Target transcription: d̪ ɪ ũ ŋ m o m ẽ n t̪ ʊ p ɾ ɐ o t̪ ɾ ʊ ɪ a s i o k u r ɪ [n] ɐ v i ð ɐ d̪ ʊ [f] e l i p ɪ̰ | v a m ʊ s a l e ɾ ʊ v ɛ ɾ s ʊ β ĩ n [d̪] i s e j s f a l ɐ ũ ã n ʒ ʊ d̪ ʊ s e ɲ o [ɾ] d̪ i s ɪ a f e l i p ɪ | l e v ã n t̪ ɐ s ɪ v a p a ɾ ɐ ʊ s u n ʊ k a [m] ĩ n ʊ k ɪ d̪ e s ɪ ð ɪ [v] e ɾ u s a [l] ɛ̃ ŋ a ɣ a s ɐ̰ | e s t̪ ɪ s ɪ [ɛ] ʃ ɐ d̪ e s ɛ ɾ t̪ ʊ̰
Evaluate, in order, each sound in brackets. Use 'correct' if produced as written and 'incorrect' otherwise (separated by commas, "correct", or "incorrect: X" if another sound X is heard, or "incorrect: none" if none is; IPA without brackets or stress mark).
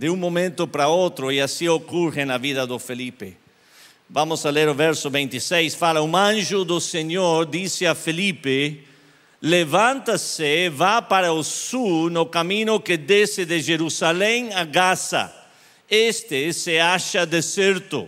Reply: correct, correct, incorrect: t̪, correct, correct, incorrect: ʒ, correct, incorrect: a